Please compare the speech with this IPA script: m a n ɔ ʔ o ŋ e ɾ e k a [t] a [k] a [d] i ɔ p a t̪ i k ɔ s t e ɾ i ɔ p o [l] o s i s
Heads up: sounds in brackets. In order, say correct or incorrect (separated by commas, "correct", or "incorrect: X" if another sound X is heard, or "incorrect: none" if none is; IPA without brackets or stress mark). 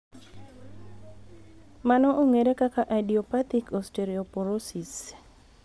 incorrect: k, incorrect: ʔ, correct, incorrect: ɾ